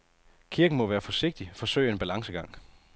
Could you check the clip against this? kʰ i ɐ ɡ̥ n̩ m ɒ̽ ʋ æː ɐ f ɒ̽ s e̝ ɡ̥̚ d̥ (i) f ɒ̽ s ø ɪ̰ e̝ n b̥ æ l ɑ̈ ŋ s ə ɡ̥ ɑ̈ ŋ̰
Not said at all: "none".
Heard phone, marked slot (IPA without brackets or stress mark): i